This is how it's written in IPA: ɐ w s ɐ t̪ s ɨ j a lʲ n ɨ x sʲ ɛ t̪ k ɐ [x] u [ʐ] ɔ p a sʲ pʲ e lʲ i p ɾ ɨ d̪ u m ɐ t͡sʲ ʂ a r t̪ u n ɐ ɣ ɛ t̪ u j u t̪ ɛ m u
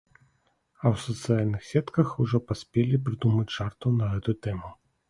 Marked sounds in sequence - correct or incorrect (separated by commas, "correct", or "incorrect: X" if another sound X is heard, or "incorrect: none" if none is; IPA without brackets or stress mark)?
correct, correct